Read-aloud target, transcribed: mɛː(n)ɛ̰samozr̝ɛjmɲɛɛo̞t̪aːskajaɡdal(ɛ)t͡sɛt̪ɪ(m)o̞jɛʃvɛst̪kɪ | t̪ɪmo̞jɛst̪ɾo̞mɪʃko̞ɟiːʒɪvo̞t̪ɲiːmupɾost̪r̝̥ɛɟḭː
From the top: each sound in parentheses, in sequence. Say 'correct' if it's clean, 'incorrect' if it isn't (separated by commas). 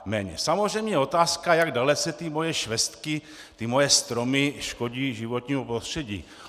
incorrect, correct, correct